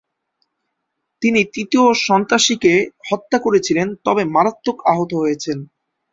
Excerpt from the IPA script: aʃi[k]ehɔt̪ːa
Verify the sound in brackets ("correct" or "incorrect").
correct